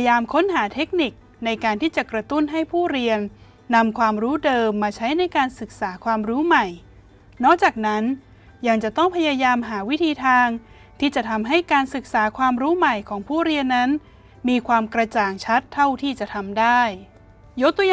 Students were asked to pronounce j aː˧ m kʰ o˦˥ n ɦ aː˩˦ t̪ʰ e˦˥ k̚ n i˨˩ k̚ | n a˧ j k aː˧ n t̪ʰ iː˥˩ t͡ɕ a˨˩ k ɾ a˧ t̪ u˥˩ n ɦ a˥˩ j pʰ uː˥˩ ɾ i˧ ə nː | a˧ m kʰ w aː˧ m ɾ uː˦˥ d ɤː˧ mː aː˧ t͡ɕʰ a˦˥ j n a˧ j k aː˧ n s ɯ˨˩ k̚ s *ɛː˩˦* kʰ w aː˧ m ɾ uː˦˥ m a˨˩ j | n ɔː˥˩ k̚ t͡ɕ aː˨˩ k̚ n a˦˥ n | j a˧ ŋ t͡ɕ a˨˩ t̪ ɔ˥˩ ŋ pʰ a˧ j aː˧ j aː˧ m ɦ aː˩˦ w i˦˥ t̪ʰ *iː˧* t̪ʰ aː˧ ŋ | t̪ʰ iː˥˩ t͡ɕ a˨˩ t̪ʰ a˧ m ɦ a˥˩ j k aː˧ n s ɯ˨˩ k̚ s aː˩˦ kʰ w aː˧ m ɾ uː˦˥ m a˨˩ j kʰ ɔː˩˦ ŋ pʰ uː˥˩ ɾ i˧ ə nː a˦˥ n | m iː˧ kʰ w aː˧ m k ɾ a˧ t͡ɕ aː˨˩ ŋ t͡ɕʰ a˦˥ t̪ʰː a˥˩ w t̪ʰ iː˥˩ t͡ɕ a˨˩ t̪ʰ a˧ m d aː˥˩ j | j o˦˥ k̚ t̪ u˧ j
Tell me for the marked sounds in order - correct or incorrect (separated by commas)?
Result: incorrect, correct